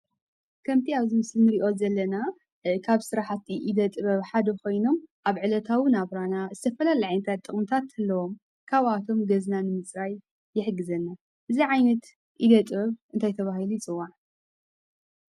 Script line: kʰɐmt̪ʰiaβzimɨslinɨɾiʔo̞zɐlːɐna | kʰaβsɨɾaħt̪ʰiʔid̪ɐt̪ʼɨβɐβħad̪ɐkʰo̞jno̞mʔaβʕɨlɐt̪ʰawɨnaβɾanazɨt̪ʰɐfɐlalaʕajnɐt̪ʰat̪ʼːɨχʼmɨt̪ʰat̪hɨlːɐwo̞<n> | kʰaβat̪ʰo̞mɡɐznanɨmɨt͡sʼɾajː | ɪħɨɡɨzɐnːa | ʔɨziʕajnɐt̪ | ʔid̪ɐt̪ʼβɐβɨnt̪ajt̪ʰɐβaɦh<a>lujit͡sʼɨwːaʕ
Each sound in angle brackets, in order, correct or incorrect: incorrect: m, incorrect: i

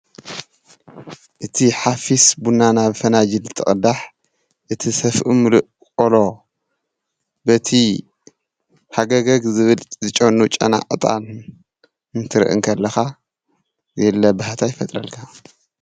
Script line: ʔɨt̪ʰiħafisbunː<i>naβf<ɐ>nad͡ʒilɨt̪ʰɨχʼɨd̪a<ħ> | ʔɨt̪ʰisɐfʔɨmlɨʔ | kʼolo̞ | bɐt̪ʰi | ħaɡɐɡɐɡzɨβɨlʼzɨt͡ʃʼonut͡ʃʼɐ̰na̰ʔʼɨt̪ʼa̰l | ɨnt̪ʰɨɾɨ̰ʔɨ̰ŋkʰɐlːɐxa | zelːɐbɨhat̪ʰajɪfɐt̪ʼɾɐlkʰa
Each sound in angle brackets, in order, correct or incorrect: incorrect: a, correct, correct

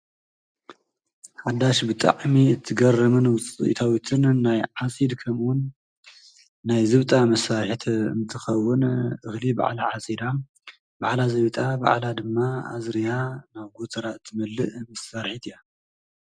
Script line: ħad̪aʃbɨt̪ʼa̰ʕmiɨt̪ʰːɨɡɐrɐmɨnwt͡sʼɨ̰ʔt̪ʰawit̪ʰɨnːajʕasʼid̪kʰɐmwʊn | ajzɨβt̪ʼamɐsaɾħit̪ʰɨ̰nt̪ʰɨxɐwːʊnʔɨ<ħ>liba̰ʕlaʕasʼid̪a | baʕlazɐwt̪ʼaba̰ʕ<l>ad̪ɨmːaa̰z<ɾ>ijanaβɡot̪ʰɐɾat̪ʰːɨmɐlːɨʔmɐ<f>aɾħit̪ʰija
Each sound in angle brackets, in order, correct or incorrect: incorrect: x, correct, correct, incorrect: s

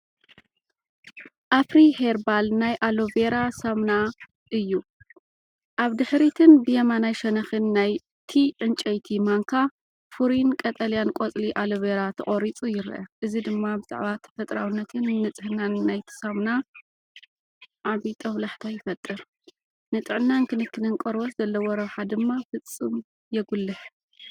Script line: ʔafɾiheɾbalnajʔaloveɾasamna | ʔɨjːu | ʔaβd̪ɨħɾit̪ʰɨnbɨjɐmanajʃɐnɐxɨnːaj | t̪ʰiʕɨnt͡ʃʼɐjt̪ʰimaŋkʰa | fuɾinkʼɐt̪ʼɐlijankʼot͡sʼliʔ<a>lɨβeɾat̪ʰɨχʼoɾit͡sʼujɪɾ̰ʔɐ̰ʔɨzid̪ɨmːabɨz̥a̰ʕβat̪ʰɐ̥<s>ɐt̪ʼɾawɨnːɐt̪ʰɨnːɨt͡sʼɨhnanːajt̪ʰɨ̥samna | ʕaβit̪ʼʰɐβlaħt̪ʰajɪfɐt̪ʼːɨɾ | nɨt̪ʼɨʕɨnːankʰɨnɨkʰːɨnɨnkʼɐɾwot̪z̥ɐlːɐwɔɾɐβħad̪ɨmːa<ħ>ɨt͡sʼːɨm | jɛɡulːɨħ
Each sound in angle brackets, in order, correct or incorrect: correct, incorrect: f, incorrect: f

